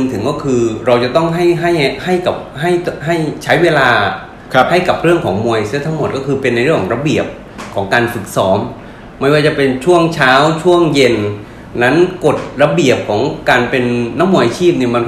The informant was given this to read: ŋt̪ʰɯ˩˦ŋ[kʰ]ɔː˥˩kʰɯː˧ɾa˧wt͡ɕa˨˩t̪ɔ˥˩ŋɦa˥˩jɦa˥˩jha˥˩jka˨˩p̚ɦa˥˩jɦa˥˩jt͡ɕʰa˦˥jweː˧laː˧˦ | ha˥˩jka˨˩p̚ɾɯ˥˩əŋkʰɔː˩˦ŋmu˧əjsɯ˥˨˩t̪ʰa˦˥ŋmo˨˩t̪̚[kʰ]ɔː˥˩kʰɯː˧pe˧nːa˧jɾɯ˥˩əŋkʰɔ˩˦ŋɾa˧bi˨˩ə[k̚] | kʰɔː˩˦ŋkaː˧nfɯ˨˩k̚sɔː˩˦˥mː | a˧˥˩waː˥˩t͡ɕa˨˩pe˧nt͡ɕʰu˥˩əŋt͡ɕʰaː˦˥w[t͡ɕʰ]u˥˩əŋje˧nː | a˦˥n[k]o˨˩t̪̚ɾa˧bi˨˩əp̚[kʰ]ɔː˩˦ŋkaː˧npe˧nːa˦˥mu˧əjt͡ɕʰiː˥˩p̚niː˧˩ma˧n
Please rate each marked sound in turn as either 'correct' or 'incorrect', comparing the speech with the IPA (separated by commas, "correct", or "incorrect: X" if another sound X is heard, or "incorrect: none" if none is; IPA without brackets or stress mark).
incorrect: k, incorrect: k, incorrect: p̚, correct, correct, correct